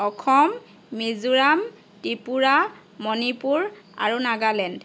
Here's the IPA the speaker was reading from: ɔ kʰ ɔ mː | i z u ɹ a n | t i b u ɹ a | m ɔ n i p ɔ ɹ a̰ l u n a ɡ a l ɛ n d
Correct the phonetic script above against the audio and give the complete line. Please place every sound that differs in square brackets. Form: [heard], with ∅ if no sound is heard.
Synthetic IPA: ɔ kʰ ɔ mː | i z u ɹ a [m] | t i [p] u ɹ a | m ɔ n i p [u] ɹ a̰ [ɹ] u n a ɡ a l ɛ n d